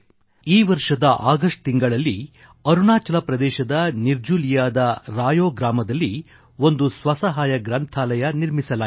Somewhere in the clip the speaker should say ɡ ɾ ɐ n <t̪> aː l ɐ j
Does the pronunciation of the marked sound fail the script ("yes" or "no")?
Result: yes